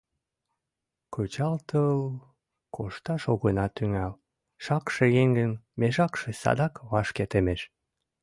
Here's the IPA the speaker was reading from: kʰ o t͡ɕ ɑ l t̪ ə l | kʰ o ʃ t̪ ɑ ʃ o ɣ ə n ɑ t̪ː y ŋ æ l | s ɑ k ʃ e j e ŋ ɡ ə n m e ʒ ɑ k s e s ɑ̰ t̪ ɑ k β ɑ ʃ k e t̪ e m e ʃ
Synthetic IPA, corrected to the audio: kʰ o t͡ɕ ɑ l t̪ ə l | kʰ o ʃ t̪ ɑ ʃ o ɣ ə n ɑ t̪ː y ŋ æ l | ʃ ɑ k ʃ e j e ŋ ɡ ə n m e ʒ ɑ k ʃ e s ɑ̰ d̪ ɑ k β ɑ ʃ k e t̪ e m e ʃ